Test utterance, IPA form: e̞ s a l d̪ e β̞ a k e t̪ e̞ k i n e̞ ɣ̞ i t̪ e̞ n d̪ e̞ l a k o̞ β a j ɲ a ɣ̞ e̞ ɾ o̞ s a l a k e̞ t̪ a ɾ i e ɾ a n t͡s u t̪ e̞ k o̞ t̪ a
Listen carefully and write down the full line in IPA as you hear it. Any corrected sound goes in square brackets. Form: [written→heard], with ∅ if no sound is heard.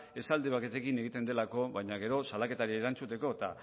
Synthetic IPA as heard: e̞ s a l d̪ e β̞ a k e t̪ e̞ k i n e̞ ɣ̞ i t̪ e̞ n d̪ e̞ l a k o̞ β a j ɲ a ɣ̞ e̞ ɾ o̞ s a l a k e̞ t̪ a ɾ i e ɾ a n t͡s u t̪ e̞ k o̞ t̪ a